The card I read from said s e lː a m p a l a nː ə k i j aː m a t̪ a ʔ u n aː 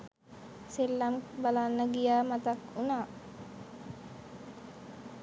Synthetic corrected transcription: s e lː a m b a l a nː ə ɡ i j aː m a t̪ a k u n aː